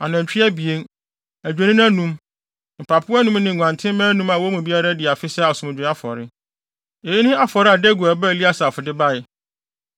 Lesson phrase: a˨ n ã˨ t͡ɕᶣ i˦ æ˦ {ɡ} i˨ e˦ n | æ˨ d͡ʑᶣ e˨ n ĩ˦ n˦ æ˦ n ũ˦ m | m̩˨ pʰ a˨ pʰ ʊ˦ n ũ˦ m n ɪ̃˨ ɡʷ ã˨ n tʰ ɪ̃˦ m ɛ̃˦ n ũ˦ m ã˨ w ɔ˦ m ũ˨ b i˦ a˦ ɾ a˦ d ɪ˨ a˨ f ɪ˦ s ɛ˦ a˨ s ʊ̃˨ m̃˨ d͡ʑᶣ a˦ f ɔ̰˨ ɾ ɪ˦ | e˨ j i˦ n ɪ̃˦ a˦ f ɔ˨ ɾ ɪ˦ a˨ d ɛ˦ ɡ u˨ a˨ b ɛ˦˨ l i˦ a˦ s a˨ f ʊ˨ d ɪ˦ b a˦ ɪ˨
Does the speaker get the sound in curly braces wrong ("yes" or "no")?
yes